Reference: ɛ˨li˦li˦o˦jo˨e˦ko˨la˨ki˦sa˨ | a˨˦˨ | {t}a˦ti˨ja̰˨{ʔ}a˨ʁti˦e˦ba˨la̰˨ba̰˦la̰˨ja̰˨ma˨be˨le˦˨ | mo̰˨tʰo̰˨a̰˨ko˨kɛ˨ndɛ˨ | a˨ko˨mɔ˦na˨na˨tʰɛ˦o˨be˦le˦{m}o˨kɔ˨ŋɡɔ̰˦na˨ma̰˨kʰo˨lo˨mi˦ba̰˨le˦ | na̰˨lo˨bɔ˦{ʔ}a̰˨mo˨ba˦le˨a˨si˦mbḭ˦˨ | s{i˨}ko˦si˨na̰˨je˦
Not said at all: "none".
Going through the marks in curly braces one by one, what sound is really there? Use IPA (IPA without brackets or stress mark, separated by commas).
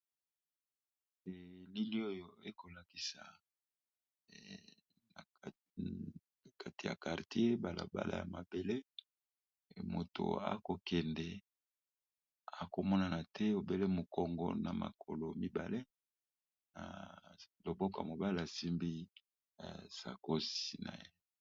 k, k, m, k, a˨